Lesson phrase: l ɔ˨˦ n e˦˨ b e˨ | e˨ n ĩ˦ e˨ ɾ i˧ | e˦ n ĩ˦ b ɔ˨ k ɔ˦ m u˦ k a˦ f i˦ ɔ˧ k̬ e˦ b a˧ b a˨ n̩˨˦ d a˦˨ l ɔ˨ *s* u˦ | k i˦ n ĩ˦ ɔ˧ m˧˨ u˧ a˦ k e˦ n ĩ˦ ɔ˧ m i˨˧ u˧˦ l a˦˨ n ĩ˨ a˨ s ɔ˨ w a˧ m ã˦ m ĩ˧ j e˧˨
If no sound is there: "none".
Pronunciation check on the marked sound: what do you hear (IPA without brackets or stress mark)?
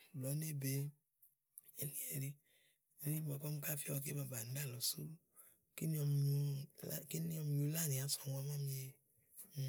s